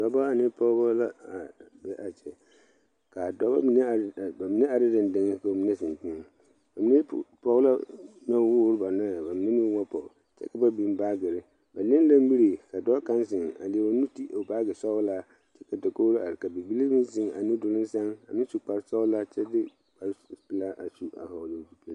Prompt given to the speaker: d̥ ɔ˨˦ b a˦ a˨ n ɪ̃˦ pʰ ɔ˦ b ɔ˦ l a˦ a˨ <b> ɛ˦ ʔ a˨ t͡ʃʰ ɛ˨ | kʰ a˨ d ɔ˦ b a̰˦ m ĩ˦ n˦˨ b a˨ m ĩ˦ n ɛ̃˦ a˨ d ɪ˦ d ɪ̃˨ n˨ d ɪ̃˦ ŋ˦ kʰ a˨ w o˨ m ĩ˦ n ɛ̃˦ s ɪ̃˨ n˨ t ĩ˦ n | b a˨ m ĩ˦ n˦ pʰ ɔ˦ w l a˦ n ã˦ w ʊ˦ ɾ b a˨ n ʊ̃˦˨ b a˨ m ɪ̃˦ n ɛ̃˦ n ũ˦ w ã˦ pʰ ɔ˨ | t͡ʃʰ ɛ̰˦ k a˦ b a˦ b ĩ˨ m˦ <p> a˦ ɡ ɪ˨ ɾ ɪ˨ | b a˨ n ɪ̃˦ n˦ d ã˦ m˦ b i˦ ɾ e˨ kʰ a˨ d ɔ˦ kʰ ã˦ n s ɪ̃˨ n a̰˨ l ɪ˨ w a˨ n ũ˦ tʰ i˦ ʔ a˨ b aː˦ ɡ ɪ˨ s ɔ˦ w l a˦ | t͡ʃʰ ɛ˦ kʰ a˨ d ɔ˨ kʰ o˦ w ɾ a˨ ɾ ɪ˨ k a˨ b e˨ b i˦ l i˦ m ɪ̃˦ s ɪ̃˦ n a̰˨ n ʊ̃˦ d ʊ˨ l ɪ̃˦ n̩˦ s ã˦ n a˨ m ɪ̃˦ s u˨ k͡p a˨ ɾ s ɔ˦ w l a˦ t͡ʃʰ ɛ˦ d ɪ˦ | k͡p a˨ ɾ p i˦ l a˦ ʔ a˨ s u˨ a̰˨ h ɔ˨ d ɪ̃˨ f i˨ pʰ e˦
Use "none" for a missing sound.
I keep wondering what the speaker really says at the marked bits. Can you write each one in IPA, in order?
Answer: b, b

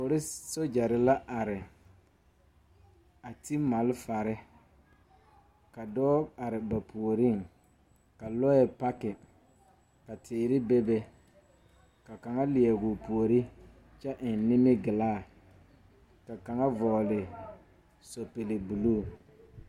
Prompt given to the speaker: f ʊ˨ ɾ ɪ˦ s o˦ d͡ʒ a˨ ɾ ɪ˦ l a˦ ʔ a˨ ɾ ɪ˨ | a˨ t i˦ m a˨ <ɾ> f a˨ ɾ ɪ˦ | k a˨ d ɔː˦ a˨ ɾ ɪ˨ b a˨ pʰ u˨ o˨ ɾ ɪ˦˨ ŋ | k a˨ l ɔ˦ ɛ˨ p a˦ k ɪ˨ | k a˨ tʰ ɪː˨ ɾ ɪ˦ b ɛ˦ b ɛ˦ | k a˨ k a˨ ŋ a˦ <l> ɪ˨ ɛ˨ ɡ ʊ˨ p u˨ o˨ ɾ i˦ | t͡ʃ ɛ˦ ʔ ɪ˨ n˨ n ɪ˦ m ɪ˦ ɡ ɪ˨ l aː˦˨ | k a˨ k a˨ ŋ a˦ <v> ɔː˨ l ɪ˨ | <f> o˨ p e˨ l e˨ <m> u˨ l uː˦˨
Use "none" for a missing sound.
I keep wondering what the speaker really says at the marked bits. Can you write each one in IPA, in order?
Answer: l, l, v, s, b

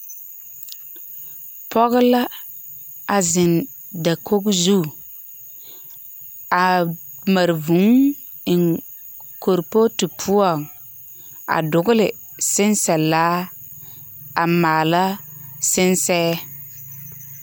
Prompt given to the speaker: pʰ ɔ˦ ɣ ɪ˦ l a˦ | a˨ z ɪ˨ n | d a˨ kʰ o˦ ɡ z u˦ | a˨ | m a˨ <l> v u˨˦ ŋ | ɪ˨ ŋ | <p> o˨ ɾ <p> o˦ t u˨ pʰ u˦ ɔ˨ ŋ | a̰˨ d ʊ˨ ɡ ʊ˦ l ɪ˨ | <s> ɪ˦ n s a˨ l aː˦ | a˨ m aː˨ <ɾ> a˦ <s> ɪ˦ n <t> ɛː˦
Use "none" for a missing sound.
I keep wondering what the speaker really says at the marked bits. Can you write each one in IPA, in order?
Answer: ɾ, k, p, s, l, s, s

